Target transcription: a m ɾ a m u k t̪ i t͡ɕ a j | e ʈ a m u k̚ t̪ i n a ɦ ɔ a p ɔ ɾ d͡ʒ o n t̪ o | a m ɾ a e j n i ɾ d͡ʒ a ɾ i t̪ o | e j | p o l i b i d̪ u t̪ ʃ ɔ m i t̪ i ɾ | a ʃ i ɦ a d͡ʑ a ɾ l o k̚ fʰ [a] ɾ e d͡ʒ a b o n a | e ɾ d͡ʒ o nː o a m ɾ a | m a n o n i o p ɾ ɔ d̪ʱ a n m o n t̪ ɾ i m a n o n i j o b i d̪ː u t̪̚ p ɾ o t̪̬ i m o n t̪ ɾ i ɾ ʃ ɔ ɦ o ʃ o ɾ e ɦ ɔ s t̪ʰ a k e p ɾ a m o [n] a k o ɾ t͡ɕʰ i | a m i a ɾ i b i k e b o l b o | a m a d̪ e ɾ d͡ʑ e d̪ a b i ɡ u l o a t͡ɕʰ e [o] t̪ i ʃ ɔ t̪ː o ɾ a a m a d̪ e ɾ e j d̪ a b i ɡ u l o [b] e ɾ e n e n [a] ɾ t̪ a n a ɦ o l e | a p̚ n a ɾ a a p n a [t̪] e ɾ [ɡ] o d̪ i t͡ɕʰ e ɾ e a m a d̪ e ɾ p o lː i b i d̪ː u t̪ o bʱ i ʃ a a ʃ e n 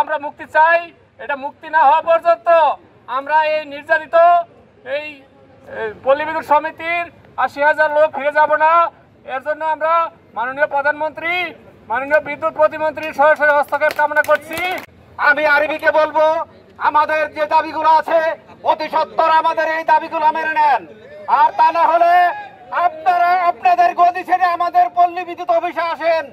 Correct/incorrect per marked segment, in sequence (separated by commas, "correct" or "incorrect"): incorrect, correct, correct, incorrect, correct, incorrect, correct